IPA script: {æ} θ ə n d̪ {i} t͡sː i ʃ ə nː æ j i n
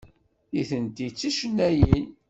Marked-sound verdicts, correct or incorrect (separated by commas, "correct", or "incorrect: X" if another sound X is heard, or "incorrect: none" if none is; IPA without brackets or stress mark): incorrect: i, correct